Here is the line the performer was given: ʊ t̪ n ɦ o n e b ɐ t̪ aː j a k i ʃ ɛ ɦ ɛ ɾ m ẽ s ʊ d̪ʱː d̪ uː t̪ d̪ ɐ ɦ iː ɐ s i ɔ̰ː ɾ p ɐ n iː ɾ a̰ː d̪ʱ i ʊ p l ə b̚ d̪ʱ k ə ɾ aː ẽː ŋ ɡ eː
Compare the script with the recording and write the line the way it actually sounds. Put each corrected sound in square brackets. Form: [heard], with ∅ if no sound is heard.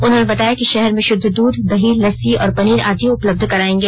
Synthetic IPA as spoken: ʊ [∅] n ɦ o n e b ɐ t̪ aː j a k i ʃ ɛ ɦ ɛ ɾ m ẽ [ʃ] ʊ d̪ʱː d̪ uː [d̪] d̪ ɐ ɦ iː ɐ s i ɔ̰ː ɾ p ɐ n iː ɾ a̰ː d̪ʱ i ʊ p l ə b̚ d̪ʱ k [ɐ] ɾ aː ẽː ŋ ɡ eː